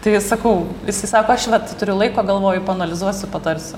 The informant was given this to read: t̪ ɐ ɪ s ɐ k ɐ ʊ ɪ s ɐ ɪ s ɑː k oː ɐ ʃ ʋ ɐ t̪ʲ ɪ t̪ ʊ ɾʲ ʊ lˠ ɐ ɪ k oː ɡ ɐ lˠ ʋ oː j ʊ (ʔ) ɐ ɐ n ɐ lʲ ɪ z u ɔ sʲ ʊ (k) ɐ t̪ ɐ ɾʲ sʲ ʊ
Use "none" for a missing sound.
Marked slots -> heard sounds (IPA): p, p

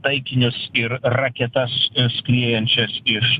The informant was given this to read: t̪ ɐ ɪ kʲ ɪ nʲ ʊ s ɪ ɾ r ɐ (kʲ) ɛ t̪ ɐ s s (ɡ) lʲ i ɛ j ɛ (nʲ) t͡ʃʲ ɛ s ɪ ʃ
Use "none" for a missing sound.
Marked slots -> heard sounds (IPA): kʲ, k, nʲ

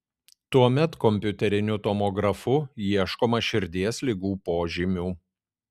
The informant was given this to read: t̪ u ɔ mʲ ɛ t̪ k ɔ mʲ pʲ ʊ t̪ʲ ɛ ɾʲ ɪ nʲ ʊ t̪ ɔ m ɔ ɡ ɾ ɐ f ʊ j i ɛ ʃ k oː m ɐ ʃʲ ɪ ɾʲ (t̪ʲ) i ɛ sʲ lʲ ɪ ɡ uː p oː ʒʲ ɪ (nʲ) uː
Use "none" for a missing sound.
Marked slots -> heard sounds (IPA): d̪ʲ, mʲ

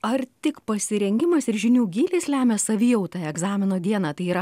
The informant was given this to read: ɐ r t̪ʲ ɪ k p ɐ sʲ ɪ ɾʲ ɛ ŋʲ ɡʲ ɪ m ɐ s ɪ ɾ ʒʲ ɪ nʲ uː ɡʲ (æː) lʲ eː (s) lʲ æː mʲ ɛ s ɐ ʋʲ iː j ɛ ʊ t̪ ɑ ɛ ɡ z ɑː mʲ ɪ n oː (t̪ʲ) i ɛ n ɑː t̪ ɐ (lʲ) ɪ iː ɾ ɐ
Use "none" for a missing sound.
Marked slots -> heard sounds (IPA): iː, s, d̪ʲ, none

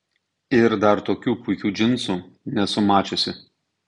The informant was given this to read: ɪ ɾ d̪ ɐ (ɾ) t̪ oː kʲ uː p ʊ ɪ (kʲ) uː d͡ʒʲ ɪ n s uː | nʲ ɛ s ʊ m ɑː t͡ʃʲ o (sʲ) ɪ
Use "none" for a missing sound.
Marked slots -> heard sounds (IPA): ɾ, kʲ, sʲ

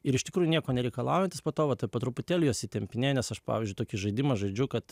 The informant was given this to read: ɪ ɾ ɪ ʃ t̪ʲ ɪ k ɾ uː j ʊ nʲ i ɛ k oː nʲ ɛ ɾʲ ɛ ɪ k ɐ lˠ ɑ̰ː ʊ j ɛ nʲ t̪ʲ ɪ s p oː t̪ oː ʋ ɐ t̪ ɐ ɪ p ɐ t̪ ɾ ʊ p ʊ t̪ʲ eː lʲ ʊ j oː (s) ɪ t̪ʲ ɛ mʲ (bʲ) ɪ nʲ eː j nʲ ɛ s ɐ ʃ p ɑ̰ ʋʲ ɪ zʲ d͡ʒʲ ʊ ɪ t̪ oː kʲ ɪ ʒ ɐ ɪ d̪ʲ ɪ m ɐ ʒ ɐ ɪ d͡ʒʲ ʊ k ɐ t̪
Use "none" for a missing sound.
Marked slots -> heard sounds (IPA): s, pʲ

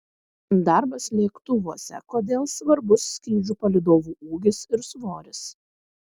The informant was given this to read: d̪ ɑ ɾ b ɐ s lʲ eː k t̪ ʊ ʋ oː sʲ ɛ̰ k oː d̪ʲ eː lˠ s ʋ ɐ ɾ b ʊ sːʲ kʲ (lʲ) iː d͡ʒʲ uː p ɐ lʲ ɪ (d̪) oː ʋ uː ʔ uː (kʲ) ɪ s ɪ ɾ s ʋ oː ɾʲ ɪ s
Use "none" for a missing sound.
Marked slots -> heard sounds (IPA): ɾʲ, d̪, ɡʲ

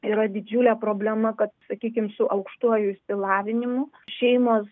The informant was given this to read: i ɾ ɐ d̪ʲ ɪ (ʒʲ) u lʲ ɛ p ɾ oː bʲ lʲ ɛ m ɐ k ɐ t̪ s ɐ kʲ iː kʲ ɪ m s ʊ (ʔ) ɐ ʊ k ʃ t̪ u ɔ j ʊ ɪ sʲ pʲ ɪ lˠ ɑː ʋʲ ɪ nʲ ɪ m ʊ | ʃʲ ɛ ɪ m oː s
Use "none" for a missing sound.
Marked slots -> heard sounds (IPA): d͡ʒʲ, ʔ

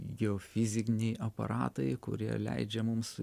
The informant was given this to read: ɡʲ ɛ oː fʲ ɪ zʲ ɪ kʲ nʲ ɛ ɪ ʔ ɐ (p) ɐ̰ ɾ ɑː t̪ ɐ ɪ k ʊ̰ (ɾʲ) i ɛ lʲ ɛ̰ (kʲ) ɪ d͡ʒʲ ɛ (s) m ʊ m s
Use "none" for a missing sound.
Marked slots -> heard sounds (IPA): p, ɾʲ, none, none

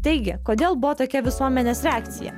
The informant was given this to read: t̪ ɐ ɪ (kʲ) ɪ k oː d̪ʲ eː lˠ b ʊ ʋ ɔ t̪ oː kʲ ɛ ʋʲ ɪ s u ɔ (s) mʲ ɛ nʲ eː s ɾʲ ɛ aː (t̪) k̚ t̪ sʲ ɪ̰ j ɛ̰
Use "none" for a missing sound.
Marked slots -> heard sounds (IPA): ɡʲ, none, none

